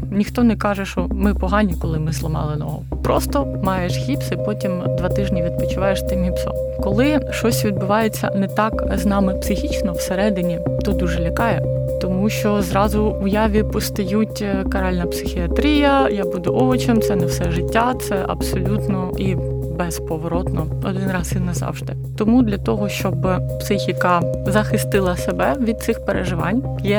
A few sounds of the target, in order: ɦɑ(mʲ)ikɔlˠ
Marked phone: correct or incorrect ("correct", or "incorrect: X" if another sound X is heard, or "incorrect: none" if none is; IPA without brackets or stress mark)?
incorrect: nʲ